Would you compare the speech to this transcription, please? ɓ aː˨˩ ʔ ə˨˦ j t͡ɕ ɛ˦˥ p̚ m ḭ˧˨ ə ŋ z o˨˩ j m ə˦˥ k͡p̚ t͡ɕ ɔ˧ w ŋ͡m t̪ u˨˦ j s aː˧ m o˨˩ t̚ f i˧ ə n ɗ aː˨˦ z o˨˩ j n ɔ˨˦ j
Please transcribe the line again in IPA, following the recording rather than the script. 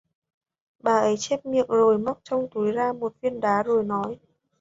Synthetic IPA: ɓ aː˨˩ ʔ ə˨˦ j t͡ɕ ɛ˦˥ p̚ m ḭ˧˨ ə ŋ z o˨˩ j m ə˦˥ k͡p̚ t͡ɕ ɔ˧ w ŋ͡m t̪ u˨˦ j z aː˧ m o˨˩ t̚ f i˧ ə n ɗ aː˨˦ z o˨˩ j n ɔ˨˦ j